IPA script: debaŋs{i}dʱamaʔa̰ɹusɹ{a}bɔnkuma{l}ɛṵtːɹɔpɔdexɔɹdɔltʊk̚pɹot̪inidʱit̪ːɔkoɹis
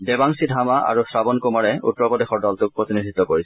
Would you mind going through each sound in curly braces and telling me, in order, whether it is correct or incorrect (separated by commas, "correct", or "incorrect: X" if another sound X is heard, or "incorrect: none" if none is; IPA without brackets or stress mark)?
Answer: correct, correct, incorrect: ɹ